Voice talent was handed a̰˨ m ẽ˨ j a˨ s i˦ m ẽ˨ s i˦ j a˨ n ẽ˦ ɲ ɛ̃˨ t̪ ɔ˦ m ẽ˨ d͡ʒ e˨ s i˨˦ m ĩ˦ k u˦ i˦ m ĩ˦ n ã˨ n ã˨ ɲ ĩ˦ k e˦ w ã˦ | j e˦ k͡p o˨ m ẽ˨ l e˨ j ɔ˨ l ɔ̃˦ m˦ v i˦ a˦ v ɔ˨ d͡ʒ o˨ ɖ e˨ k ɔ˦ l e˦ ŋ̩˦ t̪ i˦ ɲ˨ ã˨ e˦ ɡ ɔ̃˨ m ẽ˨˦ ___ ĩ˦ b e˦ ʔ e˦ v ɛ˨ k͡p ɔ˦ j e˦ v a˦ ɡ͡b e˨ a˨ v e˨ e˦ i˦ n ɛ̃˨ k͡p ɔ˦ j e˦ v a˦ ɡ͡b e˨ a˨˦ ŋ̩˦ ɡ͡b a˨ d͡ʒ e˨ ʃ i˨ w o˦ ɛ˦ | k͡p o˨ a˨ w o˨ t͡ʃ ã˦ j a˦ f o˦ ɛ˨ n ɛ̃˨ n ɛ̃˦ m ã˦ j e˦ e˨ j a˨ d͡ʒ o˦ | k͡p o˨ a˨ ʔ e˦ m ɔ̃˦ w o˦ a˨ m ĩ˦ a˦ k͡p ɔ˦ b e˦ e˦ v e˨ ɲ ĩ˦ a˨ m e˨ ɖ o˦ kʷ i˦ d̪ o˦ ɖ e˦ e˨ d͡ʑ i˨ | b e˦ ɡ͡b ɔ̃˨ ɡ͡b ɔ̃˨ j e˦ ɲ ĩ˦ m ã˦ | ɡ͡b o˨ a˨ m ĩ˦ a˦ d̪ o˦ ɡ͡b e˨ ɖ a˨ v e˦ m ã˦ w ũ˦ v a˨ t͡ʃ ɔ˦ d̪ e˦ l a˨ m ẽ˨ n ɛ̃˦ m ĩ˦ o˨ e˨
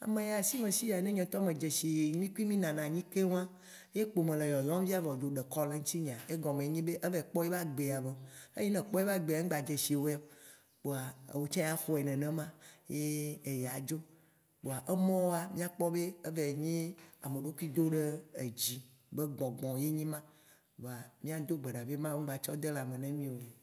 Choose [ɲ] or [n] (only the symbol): ɲ